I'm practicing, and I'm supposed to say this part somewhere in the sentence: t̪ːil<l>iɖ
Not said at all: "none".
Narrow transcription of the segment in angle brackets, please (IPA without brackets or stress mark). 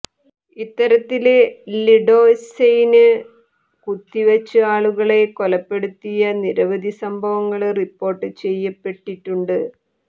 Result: l